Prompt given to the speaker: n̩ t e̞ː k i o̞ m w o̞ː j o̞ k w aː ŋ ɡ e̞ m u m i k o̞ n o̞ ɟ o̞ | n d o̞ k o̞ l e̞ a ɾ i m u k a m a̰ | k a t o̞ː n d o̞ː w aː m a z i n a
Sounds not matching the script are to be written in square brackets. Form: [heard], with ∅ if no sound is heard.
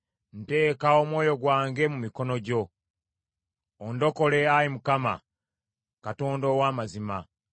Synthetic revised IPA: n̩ t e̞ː k [a] o̞ m w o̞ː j o̞ [ɡ] w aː ŋ ɡ e̞ m u m i k o̞ n o̞ ɟ o̞ | n d o̞ k o̞ l e̞ a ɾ i m u k a m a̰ | k a t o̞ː n d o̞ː w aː m a z i [m] a